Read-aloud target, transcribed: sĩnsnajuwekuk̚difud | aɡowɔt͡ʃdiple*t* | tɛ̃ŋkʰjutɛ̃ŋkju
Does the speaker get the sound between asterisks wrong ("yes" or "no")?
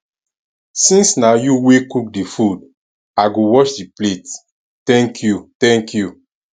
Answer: no